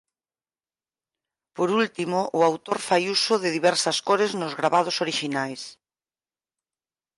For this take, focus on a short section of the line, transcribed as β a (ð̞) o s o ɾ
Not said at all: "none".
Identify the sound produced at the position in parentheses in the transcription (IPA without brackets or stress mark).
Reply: ð̞